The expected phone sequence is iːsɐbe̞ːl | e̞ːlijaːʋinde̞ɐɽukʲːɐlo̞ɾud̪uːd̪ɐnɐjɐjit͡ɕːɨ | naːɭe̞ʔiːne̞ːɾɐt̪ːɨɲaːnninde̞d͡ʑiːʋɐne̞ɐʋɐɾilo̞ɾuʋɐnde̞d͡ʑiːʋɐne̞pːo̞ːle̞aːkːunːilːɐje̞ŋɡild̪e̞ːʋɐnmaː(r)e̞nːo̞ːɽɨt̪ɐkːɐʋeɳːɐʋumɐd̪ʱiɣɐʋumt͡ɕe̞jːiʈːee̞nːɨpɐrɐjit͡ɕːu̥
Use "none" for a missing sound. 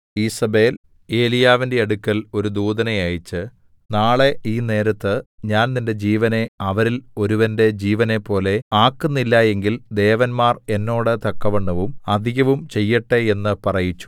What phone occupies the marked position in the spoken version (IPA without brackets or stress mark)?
r